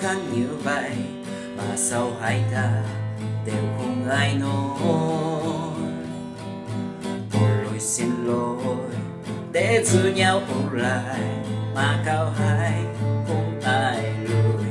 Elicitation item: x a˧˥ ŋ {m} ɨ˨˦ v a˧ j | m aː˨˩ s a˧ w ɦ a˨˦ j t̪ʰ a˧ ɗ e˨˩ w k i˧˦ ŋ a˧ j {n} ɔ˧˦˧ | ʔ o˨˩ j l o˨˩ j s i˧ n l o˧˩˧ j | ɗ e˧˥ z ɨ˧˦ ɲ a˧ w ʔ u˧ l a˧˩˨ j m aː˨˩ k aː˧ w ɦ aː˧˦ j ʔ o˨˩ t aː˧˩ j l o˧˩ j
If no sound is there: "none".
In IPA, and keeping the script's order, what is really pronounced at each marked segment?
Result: ɲ, n

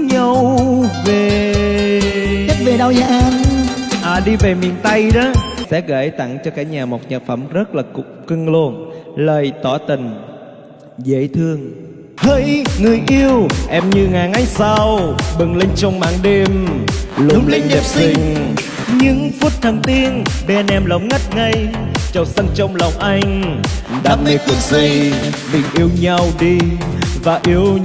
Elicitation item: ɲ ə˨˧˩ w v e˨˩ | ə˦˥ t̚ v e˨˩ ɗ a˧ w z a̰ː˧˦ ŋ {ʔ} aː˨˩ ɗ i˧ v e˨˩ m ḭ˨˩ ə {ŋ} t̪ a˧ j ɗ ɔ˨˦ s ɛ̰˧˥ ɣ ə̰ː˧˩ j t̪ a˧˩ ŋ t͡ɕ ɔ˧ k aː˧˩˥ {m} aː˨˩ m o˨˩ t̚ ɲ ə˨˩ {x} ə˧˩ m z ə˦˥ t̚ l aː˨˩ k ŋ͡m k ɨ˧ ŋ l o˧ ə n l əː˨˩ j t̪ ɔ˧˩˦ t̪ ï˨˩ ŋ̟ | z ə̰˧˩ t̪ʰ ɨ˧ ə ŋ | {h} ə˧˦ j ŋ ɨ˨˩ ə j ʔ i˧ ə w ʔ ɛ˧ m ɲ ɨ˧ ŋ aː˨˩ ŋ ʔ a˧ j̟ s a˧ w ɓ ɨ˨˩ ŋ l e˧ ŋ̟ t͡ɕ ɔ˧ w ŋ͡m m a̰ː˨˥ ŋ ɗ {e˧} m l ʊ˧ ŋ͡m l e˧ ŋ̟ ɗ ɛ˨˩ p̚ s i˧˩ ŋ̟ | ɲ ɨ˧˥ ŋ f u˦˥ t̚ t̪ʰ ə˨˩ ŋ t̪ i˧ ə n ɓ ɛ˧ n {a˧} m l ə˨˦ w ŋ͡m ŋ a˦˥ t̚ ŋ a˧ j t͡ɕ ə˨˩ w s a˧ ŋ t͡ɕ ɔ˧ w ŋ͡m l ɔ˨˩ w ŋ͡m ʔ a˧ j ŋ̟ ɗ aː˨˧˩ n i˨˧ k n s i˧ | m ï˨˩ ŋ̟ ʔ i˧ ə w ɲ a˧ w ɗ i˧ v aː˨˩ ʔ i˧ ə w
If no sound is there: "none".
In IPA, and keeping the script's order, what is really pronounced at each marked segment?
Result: ʔ, n, ɲ, f, h, e˧, ɛ˧

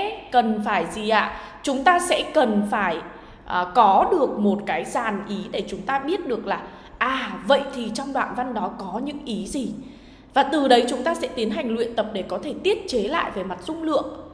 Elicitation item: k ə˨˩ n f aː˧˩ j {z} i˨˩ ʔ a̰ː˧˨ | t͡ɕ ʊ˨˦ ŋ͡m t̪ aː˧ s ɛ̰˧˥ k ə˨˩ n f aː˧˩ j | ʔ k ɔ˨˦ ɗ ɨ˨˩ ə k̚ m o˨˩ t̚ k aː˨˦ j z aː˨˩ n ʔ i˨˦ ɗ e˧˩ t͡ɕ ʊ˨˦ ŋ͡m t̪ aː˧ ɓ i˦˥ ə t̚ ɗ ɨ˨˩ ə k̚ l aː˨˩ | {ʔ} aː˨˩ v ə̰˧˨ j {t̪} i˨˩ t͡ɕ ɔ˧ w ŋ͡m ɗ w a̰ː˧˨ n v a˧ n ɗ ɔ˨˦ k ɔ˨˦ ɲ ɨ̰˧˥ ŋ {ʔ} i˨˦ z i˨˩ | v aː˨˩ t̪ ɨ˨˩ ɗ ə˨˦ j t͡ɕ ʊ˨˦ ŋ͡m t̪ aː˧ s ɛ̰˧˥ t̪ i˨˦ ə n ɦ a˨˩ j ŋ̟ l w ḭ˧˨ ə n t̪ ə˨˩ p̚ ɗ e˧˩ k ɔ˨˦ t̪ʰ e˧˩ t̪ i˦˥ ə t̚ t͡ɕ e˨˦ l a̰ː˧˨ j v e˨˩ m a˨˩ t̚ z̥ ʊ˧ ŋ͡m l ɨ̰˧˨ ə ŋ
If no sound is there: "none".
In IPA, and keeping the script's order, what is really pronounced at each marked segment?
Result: z, ʔ, t̪ʰ, ʔ

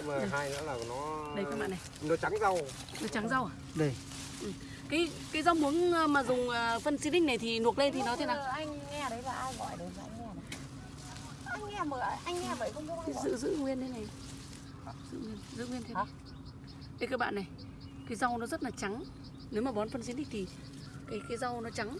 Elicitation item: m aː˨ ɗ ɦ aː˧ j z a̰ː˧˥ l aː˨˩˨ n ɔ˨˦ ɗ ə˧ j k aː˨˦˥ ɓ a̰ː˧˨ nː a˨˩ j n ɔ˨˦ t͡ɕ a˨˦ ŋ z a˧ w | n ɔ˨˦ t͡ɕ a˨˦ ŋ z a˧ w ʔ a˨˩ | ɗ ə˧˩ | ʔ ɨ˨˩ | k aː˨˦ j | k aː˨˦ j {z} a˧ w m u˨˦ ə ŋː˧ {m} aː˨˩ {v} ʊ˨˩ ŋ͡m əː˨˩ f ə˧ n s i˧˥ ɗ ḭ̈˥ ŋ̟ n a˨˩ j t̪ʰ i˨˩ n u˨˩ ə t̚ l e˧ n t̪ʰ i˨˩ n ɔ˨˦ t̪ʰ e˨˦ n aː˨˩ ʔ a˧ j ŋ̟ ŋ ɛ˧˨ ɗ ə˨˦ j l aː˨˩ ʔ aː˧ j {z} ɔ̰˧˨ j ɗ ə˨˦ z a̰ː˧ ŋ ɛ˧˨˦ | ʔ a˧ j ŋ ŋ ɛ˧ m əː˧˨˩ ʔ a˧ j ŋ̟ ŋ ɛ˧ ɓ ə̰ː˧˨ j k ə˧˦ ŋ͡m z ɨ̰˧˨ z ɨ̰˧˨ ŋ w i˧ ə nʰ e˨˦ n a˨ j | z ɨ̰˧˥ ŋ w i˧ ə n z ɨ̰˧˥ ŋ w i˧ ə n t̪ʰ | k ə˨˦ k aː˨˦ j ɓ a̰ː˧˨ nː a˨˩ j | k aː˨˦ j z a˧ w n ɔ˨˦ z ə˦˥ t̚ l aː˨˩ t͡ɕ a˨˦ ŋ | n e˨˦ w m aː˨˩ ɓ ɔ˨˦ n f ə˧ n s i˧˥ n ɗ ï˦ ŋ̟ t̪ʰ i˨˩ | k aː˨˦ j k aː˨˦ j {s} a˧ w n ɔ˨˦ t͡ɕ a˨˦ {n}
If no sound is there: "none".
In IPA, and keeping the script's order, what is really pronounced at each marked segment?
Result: z, m, z, ɣ, z, ŋ

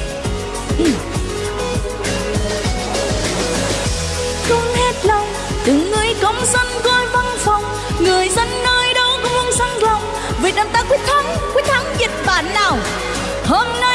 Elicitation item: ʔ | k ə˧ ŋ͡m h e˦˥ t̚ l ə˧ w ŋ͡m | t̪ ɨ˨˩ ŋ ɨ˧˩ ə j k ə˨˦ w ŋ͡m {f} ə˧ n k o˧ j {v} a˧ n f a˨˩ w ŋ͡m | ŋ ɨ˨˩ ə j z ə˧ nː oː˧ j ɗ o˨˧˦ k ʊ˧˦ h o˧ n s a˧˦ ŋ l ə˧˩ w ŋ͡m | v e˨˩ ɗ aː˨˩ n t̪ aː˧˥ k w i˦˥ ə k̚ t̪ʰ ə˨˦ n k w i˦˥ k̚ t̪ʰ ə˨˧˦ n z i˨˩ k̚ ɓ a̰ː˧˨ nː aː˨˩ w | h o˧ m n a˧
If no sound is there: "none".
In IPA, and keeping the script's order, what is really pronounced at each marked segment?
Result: s, v

